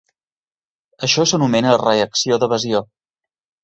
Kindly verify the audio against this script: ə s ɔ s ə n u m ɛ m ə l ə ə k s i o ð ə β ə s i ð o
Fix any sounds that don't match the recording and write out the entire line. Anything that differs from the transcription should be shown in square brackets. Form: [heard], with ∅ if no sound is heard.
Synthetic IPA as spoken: ə [ʃ] ɔ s ə n u m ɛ [n] ə [r] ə ə k s i o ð ə β ə [z] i [∅] o